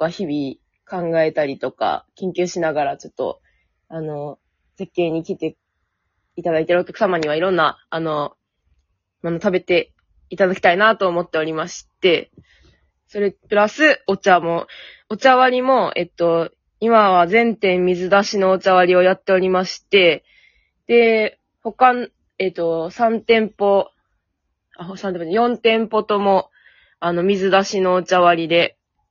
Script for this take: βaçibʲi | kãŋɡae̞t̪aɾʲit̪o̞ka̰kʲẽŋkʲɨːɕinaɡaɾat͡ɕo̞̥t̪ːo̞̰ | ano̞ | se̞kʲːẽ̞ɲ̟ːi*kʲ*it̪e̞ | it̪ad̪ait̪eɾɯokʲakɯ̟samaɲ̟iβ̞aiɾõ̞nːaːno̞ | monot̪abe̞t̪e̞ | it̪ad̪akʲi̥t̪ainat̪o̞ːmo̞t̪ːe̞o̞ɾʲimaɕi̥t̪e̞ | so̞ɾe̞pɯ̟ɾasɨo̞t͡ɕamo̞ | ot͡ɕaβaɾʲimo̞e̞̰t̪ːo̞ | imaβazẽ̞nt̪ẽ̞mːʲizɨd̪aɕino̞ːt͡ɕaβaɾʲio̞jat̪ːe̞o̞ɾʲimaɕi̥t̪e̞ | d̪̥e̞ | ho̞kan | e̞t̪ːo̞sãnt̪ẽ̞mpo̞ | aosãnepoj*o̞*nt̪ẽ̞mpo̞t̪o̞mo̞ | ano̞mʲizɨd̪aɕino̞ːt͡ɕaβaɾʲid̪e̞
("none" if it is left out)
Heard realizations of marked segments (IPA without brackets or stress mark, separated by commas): kʲ, õ̞